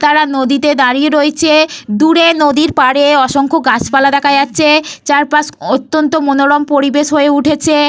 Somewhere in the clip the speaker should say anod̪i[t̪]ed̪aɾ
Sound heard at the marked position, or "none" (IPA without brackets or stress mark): t̪